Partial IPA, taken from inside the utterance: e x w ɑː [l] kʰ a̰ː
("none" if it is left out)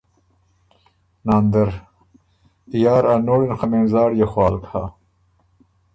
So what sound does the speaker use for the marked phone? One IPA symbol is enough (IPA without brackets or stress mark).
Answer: l